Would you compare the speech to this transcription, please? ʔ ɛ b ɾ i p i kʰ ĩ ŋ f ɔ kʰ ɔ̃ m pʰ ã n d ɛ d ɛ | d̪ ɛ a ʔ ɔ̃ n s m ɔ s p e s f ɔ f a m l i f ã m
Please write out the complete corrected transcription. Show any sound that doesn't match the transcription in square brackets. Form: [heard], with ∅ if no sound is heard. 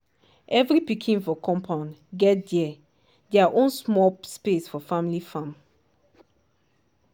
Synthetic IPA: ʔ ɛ [v] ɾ i p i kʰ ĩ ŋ f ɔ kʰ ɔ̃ m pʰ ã n [ɡ] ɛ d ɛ | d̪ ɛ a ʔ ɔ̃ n s m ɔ s p e s f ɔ f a m l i f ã m

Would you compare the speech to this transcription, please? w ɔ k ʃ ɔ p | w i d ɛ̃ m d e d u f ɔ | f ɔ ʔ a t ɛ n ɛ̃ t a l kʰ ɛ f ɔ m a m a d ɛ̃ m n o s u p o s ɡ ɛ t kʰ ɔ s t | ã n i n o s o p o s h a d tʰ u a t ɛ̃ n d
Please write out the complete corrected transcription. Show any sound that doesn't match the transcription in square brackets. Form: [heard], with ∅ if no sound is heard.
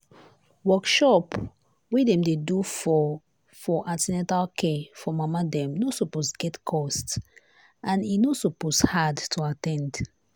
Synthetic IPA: w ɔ k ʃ ɔ p | w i d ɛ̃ m d e d u f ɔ | f ɔ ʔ a t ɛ n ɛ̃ t a l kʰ ɛ f ɔ m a m a d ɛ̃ m n o s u p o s ɡ ɛ t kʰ ɔ s t | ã n i n o s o p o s h a d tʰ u a t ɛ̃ n d

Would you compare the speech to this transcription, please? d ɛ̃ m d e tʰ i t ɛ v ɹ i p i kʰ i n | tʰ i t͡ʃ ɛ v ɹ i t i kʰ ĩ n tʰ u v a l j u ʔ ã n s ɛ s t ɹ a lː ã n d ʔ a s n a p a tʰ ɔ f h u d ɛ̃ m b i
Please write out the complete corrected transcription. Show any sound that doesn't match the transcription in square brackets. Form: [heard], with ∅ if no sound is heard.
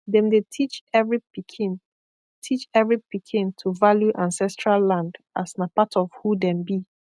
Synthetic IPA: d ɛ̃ m d e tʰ i [t͡ʃ] ɛ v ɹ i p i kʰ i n | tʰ i t͡ʃ ɛ v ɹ i [p] i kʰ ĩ n tʰ u v a l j u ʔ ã n s ɛ s t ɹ a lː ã n d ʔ a s n a p a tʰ ɔ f h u d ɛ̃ m b i

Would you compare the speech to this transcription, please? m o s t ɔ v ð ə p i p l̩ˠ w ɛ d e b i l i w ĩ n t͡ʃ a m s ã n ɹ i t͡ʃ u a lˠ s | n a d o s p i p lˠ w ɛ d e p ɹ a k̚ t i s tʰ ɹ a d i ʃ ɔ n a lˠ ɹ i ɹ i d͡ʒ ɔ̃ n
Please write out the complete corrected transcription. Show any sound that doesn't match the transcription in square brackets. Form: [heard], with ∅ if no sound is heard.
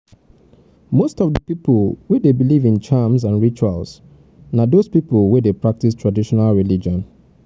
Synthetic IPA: m o s t ɔ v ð ə p i p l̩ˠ w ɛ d e b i l i [v] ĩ n t͡ʃ a m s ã n ɹ i t͡ʃ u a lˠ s | n a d o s p i p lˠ w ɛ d e p ɹ a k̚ t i s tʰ ɹ a d i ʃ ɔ n a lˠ ɹ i [l] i d͡ʒ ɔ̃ n

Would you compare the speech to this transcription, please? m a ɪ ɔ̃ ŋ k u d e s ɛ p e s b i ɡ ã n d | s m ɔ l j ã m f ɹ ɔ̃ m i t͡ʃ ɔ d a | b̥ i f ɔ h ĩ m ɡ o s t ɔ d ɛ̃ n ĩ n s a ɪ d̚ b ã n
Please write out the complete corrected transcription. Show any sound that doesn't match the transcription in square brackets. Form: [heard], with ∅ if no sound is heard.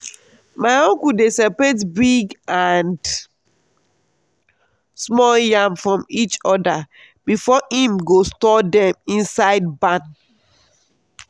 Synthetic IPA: m a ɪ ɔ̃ ŋ k u d e s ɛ p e [t] b i ɡ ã n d | s m ɔ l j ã m f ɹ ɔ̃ m i t͡ʃ ɔ d a | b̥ i f ɔ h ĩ m ɡ o s t ɔ d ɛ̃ [m] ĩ n s a ɪ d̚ b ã n

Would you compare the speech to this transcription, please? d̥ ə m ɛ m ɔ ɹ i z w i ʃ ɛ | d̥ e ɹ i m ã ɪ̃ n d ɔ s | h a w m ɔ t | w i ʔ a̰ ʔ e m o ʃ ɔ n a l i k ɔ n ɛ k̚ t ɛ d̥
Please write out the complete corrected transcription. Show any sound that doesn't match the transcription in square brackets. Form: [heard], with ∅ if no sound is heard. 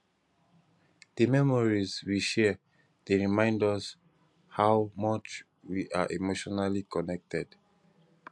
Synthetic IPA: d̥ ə m ɛ m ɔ ɹ i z w i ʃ ɛ | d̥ e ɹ i m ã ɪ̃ n d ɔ s | h a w m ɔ [t͡ʃ] | w i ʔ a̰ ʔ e m o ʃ ɔ n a l i k ɔ n ɛ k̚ t ɛ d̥

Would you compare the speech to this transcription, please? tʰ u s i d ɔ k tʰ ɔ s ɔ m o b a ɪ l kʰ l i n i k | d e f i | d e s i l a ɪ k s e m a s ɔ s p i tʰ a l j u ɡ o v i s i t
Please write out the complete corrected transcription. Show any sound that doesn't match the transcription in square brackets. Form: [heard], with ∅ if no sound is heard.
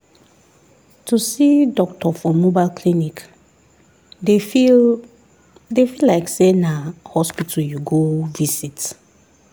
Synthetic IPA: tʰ u s i d ɔ k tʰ ɔ [f] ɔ m o b a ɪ l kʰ l i n i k | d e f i | d e [f] i l a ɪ k s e [n] a [h] ɔ s p i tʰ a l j u ɡ o v i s i t

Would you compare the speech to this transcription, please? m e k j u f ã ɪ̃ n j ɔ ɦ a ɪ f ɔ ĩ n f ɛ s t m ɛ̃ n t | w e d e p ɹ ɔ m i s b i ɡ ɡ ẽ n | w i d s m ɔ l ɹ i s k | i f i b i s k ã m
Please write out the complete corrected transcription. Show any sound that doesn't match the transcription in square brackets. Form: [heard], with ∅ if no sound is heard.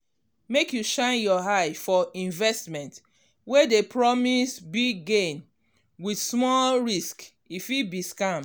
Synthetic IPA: m e k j u [ʃ] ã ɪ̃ n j ɔ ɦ a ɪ f ɔ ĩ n [v] ɛ s t m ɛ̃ n t | w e d e p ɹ ɔ m i s b i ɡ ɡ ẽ n | w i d s m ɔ l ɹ i s k | i f i b i s k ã m

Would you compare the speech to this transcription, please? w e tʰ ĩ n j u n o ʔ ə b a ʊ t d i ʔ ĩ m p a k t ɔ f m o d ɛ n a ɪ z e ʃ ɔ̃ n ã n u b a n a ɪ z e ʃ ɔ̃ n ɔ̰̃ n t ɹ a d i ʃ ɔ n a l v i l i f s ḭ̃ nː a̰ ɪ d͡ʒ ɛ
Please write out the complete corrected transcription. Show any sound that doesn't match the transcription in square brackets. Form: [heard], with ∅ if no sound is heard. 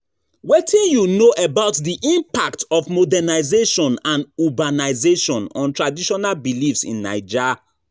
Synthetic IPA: w e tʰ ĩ n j u n o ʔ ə b a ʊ t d i ʔ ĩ m p a k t ɔ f m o d ɛ n a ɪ z e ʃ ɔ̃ n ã n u b a n a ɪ z e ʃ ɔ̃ n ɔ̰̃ n t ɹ a d i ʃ ɔ n a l [b] i l i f s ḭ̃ nː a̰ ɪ d͡ʒ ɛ

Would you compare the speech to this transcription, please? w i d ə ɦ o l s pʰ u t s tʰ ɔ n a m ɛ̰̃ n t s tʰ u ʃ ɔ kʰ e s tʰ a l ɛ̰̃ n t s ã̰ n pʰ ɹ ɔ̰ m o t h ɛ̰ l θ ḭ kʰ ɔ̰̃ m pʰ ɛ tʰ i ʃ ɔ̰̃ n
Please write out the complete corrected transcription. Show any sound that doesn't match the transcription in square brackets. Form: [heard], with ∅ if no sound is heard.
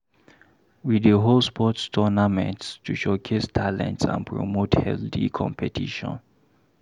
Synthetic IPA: w i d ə ɦ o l s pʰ [ɔ] t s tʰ ɔ n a m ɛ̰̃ n t s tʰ u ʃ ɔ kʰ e s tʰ a l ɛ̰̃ n t s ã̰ n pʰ ɹ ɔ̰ m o t h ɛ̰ l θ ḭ kʰ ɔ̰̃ m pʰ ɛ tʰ i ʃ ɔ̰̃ n

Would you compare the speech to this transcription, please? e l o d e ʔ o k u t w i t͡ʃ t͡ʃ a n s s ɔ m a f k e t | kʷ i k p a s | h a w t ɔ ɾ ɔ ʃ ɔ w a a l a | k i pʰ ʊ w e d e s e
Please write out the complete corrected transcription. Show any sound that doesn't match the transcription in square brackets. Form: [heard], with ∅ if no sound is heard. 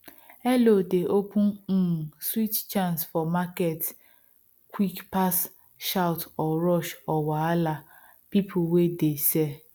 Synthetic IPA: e l o d e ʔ o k u [s] w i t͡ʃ t͡ʃ a n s [f] ɔ m a [∅] k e t | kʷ i k p a s | [ʃ] a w t ɔ ɾ ɔ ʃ ɔ w a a l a | [p] i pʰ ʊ w e d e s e

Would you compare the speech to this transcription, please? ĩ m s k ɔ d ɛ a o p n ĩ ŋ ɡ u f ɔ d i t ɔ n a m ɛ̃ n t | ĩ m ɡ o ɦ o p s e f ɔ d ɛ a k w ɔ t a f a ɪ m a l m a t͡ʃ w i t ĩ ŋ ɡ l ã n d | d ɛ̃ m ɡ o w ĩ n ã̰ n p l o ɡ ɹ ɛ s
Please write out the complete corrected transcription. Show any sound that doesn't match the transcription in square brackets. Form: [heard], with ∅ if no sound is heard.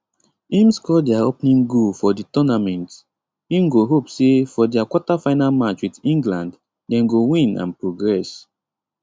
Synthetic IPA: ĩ m s k ɔ d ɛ a o p n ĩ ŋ ɡ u f ɔ d i t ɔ n a m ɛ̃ n t | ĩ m ɡ o ɦ o p s e f ɔ d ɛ a k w ɔ t a f a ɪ [n] a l m a t͡ʃ w i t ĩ ŋ ɡ l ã n d | d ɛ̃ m ɡ o w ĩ n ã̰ n p [ɹ] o ɡ ɹ ɛ s

